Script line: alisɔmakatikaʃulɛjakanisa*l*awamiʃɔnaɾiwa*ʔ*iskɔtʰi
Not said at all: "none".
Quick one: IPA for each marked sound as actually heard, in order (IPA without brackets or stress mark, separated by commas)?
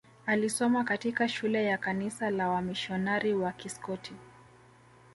l, k